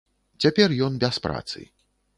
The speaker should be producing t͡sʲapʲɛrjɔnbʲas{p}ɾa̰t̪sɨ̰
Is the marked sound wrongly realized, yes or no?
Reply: no